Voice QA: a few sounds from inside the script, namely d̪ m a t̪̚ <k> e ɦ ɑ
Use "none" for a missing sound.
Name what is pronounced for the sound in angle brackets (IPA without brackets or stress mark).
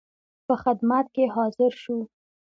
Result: k